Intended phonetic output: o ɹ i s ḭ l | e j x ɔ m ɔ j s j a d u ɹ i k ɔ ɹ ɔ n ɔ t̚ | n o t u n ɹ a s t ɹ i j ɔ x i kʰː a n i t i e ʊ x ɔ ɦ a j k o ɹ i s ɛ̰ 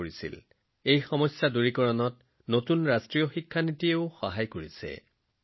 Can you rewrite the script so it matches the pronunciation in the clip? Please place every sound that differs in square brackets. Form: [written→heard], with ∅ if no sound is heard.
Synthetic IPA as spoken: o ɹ i s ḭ l | e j x ɔ m ɔ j s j a d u ɹ i k ɔ ɹ ɔ n ɔ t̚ | n o t u n ɹ a s t ɹ i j ɔ x i kʰː a n i t i e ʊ x ɔ ɦ a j k o ɹ i s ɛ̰